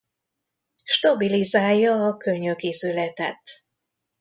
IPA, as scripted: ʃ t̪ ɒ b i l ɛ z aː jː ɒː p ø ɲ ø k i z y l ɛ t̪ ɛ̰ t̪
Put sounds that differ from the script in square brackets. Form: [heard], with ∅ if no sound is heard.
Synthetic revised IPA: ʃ t̪ ɒ b i l [i] z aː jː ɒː [k] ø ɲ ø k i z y l ɛ t̪ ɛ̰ t̪